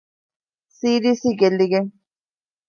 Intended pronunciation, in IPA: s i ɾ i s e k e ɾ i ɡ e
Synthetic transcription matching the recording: s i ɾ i s i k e l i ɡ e